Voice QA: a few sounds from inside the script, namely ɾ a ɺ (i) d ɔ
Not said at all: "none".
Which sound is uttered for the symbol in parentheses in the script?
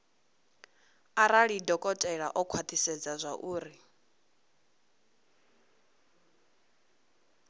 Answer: i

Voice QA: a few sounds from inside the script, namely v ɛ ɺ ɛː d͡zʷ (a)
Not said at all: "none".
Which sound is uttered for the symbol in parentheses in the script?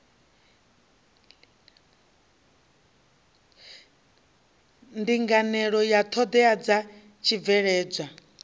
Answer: a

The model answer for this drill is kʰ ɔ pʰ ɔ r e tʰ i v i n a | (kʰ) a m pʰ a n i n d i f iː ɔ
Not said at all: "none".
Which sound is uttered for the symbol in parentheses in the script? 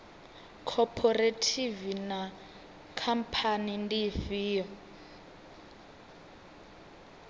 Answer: kʰ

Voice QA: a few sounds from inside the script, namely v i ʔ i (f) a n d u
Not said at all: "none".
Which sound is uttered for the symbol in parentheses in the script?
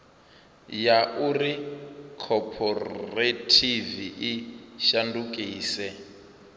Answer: ʃ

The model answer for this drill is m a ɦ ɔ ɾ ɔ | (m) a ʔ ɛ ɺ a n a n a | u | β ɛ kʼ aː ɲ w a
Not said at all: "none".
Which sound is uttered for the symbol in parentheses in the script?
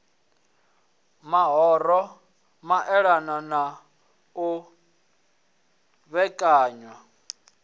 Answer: m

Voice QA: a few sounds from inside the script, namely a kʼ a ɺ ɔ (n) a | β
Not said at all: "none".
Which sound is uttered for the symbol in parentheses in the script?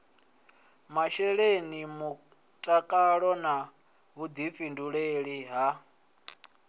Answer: n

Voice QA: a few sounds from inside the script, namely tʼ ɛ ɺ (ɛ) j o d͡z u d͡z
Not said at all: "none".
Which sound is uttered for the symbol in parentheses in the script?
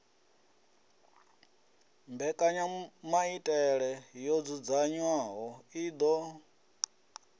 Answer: ɛ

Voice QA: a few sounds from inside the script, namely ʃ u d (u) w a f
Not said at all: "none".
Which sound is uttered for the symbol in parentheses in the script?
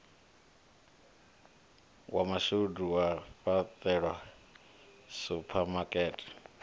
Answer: u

